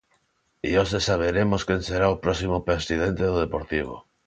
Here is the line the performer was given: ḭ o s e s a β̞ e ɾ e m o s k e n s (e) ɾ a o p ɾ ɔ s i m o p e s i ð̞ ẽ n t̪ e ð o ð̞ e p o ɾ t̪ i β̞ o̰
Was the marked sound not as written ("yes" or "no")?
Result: no